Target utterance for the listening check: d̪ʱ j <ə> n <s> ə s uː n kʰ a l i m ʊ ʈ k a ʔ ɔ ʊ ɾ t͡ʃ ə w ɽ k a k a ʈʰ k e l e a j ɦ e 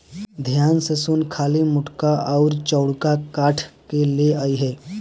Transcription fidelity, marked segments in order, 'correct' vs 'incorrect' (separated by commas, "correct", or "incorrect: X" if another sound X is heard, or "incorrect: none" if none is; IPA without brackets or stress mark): incorrect: a, correct